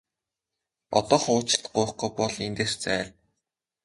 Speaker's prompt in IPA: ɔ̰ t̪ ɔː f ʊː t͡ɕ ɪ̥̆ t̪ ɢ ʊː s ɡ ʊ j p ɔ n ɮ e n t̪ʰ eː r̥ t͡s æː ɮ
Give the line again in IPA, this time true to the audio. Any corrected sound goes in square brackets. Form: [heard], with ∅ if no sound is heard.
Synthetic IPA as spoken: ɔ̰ t̪ ɔː [χ] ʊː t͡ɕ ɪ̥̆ t̪ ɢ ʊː [χ] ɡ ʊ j p ɔ [∅] ɮ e n [t̪] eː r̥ t͡s æː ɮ